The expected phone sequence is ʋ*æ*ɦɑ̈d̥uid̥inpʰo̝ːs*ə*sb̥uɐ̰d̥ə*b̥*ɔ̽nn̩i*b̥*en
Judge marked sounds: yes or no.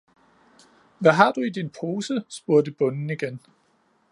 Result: yes, yes, yes, no

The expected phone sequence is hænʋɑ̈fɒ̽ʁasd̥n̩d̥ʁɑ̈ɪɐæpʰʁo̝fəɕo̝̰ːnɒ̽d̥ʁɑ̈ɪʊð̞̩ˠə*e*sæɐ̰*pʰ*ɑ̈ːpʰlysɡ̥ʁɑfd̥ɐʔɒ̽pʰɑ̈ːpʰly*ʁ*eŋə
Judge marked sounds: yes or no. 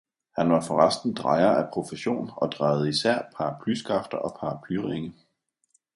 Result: no, yes, yes

